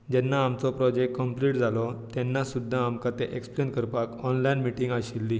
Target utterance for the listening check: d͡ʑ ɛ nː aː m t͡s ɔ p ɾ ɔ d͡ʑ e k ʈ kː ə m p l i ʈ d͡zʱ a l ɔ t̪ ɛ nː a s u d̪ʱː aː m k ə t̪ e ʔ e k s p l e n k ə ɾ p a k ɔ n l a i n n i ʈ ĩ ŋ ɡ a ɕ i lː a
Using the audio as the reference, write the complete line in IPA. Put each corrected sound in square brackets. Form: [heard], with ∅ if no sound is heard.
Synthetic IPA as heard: d͡ʑ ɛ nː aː m t͡s ɔ p ɾ ɔ d͡ʑ e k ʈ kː ə m p l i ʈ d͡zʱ a l ɔ t̪ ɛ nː a s u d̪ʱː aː m k [a] t̪ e ʔ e k s p l e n k ə ɾ p a k ɔ n l a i n [m] i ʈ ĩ ŋ ɡ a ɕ i lː [i]